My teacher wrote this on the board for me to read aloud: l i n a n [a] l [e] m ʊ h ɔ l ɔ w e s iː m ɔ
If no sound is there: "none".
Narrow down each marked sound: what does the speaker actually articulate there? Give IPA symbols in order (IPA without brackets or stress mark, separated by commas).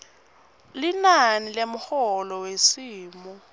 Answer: i, e